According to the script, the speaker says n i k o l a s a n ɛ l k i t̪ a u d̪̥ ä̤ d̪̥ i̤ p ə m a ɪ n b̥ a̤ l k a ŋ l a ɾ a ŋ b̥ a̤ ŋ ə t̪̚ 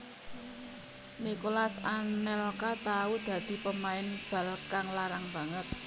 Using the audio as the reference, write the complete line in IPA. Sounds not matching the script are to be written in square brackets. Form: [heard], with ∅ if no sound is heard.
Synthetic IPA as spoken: n i k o l a s a n ɛ l k [a] t̪ a u d̪̥ ä̤ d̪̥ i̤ p ə m a ɪ n b̥ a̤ l k a ŋ l a ɾ a ŋ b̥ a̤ ŋ ə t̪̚